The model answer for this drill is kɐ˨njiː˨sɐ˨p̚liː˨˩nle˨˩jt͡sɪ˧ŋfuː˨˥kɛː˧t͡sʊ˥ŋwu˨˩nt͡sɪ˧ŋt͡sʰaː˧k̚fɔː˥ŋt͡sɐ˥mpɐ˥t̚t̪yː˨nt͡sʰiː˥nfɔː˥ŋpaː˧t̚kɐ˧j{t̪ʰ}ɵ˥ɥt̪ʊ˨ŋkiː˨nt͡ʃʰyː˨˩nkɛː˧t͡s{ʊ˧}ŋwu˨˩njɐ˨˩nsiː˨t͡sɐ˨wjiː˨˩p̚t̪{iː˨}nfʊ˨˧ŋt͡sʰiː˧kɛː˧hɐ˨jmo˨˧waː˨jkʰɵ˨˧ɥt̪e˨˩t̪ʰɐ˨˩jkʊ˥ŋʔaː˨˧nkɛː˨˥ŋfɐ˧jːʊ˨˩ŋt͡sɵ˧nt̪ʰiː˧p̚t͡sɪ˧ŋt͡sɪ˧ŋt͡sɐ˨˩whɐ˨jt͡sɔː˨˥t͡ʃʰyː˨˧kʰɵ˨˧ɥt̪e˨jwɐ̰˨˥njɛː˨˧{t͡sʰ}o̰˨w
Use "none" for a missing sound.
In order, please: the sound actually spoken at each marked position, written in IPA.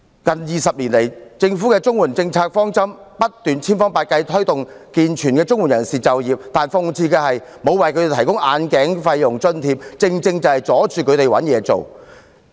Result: t̪ʰ, ʊ˥, aː˨, t͡s

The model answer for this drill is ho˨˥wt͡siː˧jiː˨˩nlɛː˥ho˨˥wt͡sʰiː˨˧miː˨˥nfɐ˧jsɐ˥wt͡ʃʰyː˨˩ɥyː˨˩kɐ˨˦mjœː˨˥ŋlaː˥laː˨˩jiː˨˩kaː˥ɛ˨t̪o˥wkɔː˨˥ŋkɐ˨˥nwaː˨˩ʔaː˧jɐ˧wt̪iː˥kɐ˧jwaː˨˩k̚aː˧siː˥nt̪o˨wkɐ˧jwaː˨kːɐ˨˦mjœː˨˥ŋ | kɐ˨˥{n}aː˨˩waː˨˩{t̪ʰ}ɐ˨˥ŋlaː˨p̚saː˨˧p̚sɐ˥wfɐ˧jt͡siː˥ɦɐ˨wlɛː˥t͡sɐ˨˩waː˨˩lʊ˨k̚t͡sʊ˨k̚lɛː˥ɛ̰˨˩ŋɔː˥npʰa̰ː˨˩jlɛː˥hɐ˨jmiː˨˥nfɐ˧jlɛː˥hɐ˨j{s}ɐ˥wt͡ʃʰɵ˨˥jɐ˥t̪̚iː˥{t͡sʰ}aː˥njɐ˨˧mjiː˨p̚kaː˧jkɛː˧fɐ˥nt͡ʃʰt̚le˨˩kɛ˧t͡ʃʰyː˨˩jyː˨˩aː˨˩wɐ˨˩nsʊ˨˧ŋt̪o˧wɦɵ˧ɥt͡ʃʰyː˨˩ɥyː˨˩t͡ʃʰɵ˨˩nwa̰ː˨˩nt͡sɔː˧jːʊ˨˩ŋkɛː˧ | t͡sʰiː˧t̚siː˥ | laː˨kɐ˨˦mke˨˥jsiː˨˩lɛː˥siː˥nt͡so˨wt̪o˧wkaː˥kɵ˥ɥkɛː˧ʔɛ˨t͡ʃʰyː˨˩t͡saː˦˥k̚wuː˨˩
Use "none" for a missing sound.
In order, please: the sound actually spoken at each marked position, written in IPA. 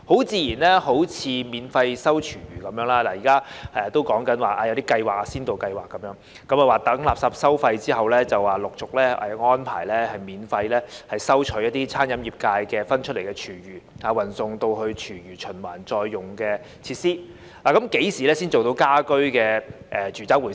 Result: m, t̪, s, t͡sʰ

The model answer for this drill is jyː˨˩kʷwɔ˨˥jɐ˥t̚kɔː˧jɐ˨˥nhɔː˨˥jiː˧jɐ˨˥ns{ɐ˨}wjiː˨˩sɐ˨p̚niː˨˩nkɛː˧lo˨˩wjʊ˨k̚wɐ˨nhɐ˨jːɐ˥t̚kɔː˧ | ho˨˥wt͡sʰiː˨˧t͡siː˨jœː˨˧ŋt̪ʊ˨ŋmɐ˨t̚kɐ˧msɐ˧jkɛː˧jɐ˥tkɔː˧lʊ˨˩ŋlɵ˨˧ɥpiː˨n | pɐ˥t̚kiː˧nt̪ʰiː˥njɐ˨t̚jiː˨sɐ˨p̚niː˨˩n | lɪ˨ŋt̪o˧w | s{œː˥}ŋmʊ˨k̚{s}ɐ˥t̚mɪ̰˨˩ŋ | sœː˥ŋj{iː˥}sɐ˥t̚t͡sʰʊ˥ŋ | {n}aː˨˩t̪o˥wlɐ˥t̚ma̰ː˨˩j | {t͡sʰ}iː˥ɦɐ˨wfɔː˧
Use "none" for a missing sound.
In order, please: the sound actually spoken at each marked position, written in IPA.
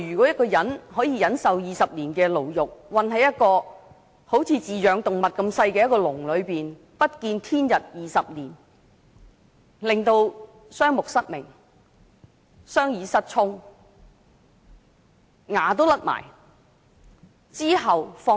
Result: ɐ˨, œː˥, s, iː˨˧, ŋ, t͡s

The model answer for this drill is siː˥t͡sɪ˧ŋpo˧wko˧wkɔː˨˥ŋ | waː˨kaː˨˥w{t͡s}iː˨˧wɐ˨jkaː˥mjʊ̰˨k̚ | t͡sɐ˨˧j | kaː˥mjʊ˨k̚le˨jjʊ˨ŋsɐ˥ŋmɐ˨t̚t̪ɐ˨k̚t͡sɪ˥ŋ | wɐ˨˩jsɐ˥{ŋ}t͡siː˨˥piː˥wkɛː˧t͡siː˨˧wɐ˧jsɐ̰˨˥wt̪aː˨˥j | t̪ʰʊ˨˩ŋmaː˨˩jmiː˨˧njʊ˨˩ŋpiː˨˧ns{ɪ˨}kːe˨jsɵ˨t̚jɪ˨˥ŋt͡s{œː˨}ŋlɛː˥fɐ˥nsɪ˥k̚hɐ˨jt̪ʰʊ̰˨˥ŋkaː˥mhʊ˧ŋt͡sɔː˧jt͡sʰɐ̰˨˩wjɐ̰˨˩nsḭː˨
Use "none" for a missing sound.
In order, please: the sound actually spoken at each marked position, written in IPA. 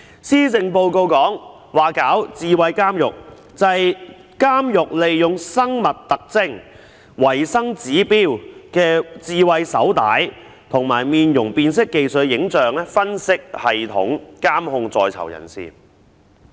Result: t͡s, ŋ, ɪ˥, œː˨

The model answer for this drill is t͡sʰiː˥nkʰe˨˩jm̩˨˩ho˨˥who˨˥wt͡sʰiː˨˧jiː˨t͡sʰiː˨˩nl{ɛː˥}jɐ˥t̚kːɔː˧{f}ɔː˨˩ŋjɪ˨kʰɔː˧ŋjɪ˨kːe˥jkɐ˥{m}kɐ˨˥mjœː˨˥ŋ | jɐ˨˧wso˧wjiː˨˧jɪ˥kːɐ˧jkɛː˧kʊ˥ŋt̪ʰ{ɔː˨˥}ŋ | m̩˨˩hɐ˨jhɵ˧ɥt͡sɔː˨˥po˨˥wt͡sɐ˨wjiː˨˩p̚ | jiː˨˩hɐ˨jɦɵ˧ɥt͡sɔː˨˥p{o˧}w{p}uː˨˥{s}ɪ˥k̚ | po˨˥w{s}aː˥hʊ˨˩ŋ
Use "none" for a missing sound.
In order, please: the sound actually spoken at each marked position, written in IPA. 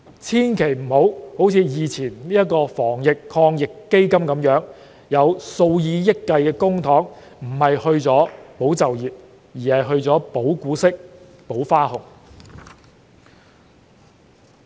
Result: iː˥, f, m, ɔː˨˥, o˨˥, k, s, f

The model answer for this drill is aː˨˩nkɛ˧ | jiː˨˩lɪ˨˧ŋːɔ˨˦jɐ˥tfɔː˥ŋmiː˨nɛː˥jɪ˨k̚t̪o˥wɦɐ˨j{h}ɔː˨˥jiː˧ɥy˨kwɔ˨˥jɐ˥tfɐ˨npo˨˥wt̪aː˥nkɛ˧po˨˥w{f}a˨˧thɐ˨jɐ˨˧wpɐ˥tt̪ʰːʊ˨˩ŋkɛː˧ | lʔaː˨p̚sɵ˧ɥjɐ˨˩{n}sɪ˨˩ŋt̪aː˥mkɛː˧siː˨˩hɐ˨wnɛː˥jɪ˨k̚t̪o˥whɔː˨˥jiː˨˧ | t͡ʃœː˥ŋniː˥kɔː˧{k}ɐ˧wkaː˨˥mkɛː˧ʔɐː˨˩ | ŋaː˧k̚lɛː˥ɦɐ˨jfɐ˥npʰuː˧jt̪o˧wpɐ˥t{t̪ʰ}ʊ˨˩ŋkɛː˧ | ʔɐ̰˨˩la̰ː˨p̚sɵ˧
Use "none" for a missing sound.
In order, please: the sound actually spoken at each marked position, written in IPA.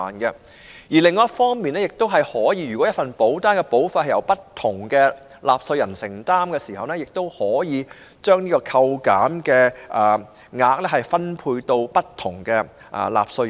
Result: h, f, n, kʰ, t̪ʰ

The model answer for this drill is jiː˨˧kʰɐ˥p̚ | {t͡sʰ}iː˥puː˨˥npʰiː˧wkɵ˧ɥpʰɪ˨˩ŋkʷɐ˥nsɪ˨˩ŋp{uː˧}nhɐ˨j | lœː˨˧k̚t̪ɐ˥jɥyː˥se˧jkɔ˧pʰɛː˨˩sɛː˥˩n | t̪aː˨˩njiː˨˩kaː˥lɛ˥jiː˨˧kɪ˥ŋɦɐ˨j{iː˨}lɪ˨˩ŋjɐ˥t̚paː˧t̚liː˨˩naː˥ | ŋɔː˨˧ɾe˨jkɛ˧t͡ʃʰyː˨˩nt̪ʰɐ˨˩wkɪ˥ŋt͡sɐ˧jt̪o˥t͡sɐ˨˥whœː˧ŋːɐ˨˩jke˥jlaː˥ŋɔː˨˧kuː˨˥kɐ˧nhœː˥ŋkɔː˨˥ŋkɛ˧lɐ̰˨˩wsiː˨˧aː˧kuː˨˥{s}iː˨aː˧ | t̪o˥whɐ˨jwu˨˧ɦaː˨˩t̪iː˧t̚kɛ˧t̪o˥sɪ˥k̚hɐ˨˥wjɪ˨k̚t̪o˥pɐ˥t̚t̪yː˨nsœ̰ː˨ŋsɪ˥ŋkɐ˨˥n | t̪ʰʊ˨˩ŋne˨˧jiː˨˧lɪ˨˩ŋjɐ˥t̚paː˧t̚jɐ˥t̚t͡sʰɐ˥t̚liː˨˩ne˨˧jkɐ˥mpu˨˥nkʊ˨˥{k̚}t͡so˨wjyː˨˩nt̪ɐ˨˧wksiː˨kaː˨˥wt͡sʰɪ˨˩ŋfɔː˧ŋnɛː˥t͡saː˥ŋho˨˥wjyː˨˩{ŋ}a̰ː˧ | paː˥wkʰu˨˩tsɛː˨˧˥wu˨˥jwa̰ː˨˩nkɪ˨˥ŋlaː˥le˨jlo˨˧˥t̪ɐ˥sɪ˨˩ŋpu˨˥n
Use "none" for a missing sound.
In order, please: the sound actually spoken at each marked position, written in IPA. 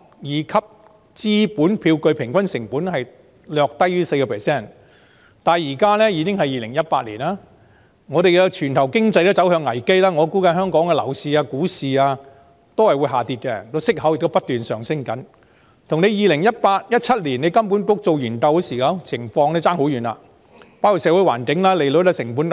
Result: t͡s, uː˨˥, iː˨, s, k̚, n

